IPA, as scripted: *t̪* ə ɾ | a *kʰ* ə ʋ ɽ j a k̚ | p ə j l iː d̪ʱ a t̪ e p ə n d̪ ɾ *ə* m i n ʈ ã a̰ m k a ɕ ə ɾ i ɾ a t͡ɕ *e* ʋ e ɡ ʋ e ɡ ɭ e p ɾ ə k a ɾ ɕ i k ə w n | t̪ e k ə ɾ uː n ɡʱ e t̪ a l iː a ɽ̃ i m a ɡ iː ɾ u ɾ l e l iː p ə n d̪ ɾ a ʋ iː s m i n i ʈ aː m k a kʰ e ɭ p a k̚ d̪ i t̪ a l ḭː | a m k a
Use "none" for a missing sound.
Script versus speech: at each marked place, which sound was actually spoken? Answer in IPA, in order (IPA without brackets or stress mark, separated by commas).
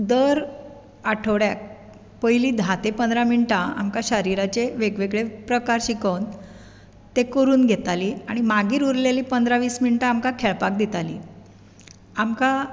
d̪, ʈʰ, a, e